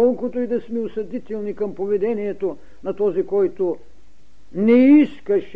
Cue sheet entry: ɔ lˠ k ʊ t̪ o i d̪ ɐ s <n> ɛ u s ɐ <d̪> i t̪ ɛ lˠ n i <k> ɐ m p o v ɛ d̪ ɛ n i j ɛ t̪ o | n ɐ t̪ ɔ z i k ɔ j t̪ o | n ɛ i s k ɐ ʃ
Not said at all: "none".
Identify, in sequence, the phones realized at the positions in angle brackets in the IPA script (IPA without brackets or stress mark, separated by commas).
m, d̪, k